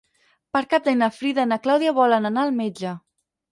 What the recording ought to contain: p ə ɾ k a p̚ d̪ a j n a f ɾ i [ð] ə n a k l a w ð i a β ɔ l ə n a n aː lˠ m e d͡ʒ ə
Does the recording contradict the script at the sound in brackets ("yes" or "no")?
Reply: no